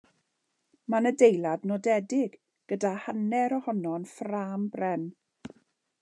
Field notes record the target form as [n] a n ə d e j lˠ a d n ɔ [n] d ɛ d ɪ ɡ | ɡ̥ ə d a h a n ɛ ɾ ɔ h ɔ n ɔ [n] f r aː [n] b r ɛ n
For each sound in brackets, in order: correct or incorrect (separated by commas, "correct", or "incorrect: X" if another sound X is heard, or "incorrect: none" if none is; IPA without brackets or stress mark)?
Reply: incorrect: m, incorrect: none, correct, incorrect: m